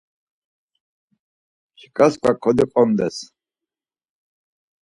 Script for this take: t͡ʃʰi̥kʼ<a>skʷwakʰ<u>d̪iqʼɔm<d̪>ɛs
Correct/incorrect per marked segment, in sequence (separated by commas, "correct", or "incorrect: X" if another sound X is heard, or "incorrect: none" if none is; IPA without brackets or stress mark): correct, incorrect: ɔ, correct